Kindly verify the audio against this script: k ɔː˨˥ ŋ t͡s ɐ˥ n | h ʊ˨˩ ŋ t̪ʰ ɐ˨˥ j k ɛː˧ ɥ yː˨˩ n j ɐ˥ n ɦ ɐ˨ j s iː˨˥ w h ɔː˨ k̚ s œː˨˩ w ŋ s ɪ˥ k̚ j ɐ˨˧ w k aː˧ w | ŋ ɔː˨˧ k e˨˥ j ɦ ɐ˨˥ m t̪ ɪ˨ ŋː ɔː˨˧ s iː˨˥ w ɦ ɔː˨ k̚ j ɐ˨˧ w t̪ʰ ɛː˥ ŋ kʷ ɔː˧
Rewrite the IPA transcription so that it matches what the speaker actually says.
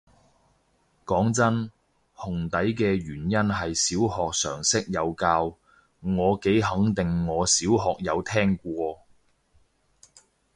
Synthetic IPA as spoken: k ɔː˨˥ ŋ t͡s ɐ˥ n | h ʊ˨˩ ŋ t̪ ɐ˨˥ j k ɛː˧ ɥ yː˨˩ n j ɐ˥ n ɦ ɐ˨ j s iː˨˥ w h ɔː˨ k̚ s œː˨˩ ŋ s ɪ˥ k̚ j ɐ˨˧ w k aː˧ w | ŋ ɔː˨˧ k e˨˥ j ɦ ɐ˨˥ ŋ t̪ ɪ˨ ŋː ɔː˨˧ s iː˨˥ w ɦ ɔː˨ k̚ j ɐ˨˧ w t̪ʰ ɛː˥ ŋ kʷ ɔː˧

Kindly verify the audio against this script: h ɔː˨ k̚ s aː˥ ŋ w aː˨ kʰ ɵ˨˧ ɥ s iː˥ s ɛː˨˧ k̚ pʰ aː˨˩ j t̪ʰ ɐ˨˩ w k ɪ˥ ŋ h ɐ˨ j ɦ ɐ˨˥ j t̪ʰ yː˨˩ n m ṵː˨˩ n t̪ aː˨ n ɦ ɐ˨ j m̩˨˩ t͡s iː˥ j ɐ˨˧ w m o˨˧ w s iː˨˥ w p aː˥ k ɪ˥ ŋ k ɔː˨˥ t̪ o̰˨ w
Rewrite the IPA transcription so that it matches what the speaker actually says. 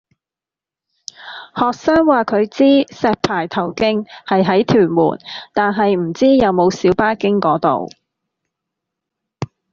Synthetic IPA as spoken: h ɔː˨ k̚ s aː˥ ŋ w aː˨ kʰ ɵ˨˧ ɥ t͡s iː˥ s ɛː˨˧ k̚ pʰ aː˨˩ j t̪ʰ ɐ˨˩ w k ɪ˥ ŋ h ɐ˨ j ɦ ɐ˨˥ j t̪ʰ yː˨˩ n m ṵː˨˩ n t̪ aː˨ n ɦ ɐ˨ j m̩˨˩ t͡s iː˥ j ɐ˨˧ w m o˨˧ w s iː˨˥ w p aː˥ k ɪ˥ ŋ k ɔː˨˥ t̪ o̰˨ w

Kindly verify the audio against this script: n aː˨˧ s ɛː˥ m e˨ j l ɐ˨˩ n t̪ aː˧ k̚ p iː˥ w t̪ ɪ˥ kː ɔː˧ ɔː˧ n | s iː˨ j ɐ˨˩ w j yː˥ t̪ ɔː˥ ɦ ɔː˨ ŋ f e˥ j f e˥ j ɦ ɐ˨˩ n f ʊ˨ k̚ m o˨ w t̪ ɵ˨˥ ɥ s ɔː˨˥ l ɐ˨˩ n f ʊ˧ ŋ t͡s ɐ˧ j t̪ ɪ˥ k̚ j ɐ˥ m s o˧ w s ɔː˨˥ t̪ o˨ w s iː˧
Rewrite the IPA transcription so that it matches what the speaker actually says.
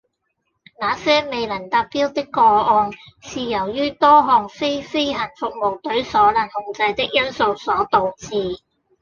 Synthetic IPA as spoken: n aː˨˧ s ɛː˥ m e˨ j l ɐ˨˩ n t̪ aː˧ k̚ p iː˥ w t̪ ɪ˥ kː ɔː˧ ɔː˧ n | s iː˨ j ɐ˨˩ w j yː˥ t̪ ɔː˥ ɦ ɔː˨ ŋ f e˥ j f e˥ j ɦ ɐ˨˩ n f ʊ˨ k̚ m o˨ w t̪ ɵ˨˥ ɥ s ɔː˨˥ l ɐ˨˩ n h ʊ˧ ŋ t͡s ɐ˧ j t̪ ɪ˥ k̚ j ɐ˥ n s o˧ w s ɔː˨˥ t̪ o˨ w t͡s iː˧

